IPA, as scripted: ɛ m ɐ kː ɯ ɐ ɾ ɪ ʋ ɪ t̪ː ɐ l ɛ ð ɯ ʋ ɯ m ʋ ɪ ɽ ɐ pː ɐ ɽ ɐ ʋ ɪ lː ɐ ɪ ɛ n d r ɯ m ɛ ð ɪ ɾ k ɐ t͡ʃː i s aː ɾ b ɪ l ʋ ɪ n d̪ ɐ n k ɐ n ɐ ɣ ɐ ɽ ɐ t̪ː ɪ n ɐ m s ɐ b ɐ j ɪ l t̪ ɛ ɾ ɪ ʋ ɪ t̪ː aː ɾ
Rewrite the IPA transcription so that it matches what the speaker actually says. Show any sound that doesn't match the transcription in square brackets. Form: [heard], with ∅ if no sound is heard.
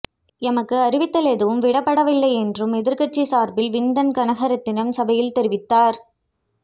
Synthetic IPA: ɛ m ɐ kː ɯ ɐ ɾ ɪ ʋ ɪ t̪ː ɐ l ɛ ð ɯ ʋ ɯ m ʋ ɪ ɽ ɐ pː ɐ ɽ ɐ ʋ ɪ lː ɐ ɪ ɛ n d r ɯ m ɛ ð ɪ ɾ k ɐ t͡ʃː i s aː ɾ b ɪ l ʋ ɪ n d̪ ɐ n k ɐ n ɐ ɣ ɐ [ɾ] ɐ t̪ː ɪ n ɐ m s ɐ b ɐ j ɪ l t̪ ɛ ɾ ɪ ʋ ɪ t̪ː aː ɾ